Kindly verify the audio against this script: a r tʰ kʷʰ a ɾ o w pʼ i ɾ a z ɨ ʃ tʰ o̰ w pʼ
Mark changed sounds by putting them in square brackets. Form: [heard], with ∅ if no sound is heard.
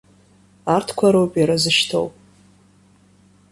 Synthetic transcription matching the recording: a r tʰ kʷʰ a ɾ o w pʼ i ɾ a z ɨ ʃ tʰ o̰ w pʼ